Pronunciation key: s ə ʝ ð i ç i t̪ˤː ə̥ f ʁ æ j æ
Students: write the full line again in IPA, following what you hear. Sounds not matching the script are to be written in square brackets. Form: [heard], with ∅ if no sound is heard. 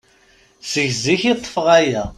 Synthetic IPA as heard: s ə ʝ [z] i ç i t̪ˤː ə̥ f ʁ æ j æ